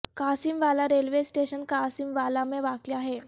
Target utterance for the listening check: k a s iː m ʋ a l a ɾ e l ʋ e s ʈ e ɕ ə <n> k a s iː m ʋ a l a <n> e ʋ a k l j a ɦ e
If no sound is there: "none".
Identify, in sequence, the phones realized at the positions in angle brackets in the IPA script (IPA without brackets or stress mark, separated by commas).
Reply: n, m